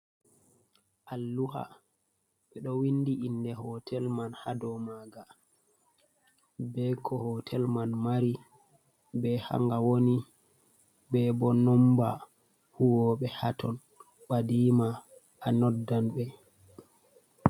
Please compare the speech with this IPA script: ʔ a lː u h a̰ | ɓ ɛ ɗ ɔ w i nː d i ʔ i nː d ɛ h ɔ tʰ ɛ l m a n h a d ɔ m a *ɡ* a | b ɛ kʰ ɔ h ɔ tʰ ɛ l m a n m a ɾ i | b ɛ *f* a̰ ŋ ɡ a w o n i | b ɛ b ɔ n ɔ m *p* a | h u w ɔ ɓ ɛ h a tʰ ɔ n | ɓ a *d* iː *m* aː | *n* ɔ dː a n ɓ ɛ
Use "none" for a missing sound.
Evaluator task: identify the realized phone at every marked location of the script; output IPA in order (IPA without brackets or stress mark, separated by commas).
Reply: ɡ, h, b, d, m, n